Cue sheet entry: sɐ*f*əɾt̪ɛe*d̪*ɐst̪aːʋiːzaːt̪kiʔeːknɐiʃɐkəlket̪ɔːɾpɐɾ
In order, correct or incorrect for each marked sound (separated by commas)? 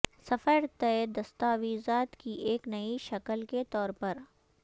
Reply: correct, correct